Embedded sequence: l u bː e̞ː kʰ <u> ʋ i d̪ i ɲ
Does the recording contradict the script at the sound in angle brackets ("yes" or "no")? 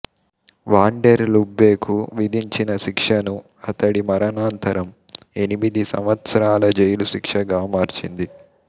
no